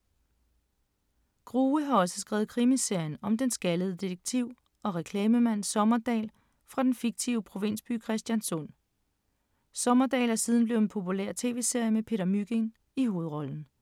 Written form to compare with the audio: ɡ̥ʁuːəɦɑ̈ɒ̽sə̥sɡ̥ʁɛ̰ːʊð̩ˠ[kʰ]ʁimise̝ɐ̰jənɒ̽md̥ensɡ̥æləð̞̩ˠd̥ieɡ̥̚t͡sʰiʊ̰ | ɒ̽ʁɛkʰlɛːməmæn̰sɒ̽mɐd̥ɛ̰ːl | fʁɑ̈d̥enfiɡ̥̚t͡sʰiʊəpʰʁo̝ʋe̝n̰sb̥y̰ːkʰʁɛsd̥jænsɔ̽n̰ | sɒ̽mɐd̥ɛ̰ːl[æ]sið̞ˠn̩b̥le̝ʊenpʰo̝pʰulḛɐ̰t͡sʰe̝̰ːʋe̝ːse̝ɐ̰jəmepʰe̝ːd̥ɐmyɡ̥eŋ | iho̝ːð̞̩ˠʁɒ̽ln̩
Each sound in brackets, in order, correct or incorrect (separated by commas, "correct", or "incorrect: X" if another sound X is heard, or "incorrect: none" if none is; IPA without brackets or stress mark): correct, correct